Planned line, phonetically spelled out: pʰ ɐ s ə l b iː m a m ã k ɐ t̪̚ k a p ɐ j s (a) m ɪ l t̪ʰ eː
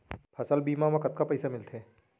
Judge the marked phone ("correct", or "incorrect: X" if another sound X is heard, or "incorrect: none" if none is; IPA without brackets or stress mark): correct